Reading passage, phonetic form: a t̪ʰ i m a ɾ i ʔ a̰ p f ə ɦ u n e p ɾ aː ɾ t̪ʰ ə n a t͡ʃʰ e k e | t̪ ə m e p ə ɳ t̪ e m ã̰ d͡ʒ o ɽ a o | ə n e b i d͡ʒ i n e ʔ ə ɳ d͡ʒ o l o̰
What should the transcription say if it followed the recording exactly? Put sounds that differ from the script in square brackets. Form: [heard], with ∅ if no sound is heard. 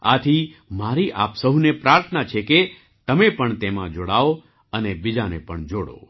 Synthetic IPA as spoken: a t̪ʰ i m a ɾ i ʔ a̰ p [s] ə ɦ u n e p ɾ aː ɾ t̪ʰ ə n a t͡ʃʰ e k e | t̪ ə m e p ə ɳ t̪ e m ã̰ d͡ʒ o ɽ a o | ə n e b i d͡ʒ [a] n e [p] ə ɳ d͡ʒ o [ɽ] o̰